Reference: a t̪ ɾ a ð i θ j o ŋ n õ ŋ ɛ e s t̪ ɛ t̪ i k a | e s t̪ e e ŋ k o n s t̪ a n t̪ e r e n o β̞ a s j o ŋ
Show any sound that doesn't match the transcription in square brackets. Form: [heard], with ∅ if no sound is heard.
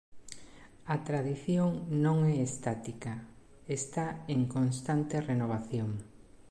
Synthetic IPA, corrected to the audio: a t̪ ɾ a ð i θ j o ŋ n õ ŋ ɛ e s t̪ [a] t̪ i k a | e s t̪ [a] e ŋ k o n s t̪ a n t̪ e r e n o β̞ a [θ] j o ŋ